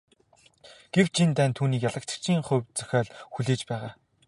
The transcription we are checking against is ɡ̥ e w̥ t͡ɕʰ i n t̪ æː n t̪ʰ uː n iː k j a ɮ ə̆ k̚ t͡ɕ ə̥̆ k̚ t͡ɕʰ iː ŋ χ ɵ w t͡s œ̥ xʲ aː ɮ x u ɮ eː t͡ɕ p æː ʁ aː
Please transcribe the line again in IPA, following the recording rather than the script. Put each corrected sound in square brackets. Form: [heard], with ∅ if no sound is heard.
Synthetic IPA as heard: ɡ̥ e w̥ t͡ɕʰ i n t̪ æː n t̪ʰ uː n iː k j a ɮ ə̆ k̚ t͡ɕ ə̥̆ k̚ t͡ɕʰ iː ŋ χ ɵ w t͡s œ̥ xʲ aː ɮ x u ɮ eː t͡ɕ p æː ʁ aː